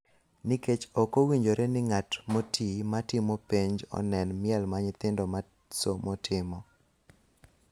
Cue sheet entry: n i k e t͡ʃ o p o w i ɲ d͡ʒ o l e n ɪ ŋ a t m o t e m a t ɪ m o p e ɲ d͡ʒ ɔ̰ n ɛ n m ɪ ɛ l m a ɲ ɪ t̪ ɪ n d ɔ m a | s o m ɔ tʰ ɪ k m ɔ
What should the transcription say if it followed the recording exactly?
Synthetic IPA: n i k e t͡ʃ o k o w i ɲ d͡ʒ o ɾ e n ɪ ŋ a t m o t i m a t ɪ m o p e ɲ d͡ʒ ɔ̰ n ɛ n m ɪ ɛ l m a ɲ ɪ t̪ ɪ n d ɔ m a | s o m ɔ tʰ ɪ m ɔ